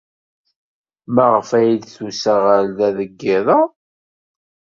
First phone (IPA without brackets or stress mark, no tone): m